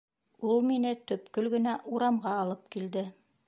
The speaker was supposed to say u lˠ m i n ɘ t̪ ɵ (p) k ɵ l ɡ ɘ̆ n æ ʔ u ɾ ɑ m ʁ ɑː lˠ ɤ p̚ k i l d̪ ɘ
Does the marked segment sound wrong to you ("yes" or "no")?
no